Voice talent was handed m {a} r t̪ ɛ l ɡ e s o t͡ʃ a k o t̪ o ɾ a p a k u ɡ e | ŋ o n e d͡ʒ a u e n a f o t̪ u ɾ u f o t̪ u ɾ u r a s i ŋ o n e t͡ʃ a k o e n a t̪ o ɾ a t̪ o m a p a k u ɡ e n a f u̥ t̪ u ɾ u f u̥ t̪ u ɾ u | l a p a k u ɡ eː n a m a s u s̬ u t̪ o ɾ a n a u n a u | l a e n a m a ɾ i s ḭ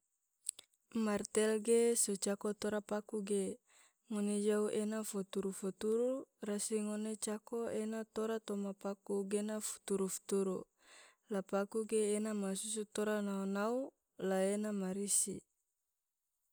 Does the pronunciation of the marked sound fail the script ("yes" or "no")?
no